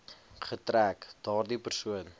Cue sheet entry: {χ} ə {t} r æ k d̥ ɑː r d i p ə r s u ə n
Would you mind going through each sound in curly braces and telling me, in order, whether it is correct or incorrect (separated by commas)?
correct, correct